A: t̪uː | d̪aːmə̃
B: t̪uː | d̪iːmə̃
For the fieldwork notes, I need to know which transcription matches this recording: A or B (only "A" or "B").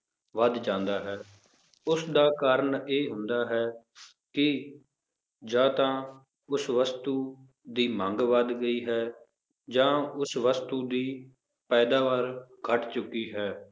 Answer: B